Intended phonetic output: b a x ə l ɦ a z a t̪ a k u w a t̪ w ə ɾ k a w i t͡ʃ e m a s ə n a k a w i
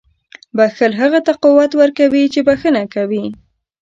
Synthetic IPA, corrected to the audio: b a x ə l ɦ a ɣ a t̪ a q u w a t̪ w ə ɾ k a w i t͡ʃ e b a x ə n a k a w i